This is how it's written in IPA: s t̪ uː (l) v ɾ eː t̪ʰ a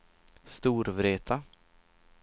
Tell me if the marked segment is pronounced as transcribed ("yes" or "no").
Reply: no